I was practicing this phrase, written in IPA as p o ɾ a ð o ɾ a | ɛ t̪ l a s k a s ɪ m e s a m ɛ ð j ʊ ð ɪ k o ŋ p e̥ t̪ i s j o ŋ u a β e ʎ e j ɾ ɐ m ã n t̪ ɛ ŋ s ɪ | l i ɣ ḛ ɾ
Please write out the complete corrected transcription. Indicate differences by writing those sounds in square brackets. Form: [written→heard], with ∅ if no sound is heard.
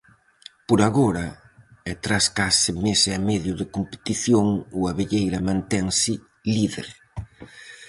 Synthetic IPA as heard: p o ɾ a [ð→ɣ] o ɾ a | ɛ t̪ [l→ɾ] a s k a s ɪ m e s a m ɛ ð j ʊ ð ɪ k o [ŋ→m] p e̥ t̪ i [s→θ] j o ŋ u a β e ʎ e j ɾ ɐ m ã n t̪ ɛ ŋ s ɪ | l i [ɣ→ð] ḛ ɾ